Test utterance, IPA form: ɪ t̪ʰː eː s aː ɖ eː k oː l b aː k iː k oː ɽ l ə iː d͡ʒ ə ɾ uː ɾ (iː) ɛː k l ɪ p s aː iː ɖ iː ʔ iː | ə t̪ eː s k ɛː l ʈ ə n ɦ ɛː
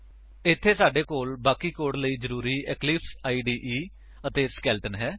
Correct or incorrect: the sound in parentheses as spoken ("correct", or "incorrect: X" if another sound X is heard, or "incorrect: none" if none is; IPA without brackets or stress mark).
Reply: correct